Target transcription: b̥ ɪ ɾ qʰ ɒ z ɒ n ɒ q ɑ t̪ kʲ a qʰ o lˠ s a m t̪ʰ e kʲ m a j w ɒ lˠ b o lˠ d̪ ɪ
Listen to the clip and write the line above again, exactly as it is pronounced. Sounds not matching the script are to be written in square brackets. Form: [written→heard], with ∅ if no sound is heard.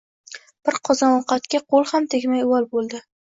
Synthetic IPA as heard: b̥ ɪ ɾ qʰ ɒ z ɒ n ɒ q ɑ t̪ kʲ a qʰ o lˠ [s→h] a m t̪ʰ e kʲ m a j w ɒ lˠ b o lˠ d̪ ɪ